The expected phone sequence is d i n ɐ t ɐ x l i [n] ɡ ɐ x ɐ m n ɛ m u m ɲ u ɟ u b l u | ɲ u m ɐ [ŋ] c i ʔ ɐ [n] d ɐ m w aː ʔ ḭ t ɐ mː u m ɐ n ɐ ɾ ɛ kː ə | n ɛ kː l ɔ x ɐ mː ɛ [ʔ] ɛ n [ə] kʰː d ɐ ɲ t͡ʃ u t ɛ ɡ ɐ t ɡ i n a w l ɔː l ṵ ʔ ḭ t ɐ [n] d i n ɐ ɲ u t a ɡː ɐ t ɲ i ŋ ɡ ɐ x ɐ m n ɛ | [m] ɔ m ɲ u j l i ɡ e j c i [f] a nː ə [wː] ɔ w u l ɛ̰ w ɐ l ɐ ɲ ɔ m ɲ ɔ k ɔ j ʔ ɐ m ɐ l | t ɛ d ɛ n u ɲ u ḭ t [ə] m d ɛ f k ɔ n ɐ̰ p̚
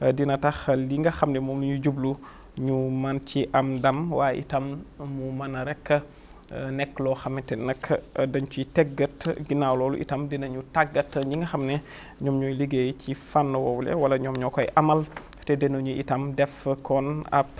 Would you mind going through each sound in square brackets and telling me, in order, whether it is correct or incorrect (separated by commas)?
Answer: incorrect, incorrect, incorrect, incorrect, incorrect, incorrect, incorrect, correct, incorrect, incorrect